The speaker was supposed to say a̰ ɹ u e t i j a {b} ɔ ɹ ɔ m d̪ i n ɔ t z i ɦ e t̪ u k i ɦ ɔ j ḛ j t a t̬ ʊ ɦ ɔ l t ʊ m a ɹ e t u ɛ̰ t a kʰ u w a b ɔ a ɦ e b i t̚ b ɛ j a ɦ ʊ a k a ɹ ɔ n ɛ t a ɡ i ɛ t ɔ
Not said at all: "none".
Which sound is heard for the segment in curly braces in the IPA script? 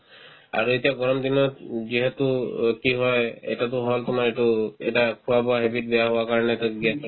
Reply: ɡ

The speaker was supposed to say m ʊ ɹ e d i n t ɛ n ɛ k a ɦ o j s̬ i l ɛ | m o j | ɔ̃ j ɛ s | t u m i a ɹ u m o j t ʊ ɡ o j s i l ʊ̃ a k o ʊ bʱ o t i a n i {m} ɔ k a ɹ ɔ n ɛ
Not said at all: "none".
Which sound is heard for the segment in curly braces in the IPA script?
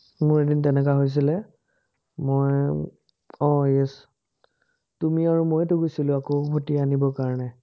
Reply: b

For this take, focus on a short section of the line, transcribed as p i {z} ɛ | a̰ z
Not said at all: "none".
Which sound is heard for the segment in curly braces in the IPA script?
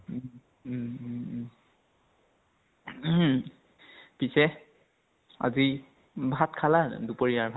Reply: s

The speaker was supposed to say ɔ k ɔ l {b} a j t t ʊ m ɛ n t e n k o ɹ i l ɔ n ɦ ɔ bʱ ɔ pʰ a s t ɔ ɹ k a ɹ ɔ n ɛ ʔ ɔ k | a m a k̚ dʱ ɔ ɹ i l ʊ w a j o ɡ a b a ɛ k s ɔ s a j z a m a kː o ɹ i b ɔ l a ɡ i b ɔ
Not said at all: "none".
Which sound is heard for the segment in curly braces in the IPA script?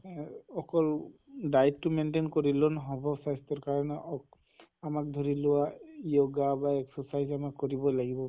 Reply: d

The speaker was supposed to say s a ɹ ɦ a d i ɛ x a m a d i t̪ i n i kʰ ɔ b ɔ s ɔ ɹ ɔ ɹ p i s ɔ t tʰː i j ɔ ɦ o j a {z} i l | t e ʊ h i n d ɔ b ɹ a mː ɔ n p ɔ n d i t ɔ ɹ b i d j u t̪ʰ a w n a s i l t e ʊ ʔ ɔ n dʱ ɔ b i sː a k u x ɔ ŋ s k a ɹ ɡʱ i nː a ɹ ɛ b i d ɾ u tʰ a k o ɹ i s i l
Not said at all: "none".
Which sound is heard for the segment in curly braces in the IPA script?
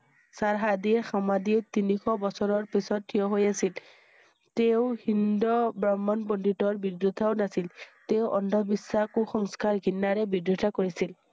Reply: s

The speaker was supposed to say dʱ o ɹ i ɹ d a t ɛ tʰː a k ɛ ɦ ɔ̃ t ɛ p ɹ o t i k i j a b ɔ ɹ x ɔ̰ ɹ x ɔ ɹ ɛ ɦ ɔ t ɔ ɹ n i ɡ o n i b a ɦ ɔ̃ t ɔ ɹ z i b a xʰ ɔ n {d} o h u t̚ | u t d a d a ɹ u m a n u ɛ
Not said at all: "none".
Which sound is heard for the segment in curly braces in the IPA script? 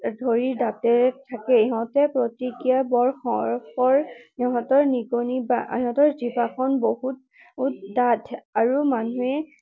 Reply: b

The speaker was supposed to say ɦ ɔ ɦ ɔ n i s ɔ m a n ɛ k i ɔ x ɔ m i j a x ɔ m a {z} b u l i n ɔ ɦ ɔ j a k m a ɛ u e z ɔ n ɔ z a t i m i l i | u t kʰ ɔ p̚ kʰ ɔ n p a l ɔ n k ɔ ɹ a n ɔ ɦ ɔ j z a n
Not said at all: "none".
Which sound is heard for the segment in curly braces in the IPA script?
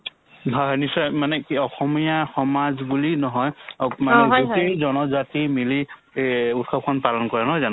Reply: z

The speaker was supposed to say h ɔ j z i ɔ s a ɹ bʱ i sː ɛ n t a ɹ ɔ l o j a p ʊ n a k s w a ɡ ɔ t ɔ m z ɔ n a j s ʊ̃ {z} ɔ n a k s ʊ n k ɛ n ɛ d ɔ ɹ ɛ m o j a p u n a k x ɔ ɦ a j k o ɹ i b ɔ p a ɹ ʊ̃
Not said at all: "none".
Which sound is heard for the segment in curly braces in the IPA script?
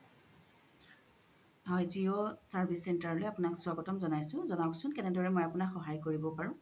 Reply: z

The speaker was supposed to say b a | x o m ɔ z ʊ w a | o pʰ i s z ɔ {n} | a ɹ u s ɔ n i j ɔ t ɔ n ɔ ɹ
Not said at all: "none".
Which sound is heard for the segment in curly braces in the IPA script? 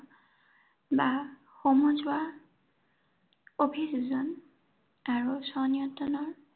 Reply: n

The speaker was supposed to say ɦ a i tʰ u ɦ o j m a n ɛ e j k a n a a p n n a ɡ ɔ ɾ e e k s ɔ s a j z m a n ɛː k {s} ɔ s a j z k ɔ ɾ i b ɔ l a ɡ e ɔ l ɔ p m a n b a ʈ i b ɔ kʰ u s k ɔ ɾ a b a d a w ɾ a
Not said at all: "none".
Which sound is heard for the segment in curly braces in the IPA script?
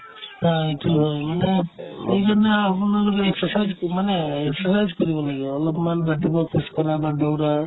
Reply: s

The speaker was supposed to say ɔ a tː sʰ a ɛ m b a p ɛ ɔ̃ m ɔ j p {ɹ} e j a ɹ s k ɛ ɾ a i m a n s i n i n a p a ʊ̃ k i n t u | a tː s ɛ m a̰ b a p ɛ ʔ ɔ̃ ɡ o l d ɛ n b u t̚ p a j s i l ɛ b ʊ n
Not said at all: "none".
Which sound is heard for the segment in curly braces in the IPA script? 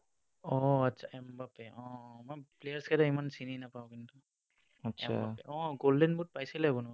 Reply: l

